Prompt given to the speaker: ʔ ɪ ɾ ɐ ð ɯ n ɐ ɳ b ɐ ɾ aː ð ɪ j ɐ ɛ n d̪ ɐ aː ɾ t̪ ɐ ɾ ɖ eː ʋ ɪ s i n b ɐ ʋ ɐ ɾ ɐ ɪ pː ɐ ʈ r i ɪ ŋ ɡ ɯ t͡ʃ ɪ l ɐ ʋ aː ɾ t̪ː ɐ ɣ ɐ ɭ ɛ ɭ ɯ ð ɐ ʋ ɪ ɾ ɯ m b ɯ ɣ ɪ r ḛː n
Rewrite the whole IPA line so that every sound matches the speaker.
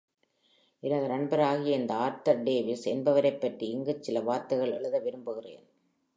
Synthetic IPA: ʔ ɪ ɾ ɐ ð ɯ n ɐ ɳ b ɐ ɾ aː ɣ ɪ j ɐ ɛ n d̪ ɐ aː ɾ t̪ ɐ ɾ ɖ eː ʋ ɪ s ɛ n b ɐ ʋ ɐ ɾ ɐ ɪ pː ɐ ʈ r i ɪ ŋ ɡ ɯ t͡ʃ ɪ l ɐ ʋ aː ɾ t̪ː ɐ ɣ ɐ ɭ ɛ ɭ ɯ ð ɐ ʋ ɪ ɾ ɯ m b ɯ ɣ ɪ r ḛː n

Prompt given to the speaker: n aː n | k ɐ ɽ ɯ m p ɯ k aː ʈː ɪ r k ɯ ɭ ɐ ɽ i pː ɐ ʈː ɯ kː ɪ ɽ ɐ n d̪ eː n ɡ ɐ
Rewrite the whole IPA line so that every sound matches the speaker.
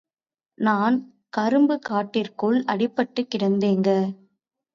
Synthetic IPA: n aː n | k ɐ ɾ ɯ m b ɯ k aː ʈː ɪ r k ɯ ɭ ɐ ɽ ɪ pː ɐ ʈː ɯ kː ɪ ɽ ɐ n d̪ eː ŋ ɡ ɐ

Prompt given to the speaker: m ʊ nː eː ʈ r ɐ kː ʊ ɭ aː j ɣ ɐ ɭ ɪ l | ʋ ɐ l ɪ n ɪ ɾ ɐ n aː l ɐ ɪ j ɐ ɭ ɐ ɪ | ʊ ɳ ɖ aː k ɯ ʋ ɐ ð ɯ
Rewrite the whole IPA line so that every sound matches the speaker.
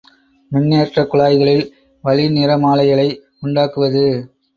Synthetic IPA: m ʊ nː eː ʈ r ɐ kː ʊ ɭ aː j ɣ ɐ ɭ ɪ l | ʋ ɐ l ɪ n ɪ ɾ ɐ m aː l ɐ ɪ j ɐ ɭ ɐ ɪ | ʊ ɳ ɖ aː k ɯ ʋ ɐ ð ɯ

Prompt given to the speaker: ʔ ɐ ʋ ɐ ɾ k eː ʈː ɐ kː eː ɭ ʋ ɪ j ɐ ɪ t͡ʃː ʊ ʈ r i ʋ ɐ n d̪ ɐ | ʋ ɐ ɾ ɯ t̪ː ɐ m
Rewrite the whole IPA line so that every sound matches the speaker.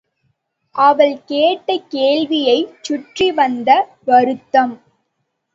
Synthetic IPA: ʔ ɐ ʋ ɐ ɭ k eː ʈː ɐ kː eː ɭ ʋ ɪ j ɐ ɪ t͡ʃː ʊ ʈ r i ʋ ɐ n d̪ ɐ | ʋ ɐ ɾ ɯ t̪ː ɐ m

